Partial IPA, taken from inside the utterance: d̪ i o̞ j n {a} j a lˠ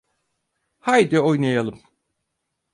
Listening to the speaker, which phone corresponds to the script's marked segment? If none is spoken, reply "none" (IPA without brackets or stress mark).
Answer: a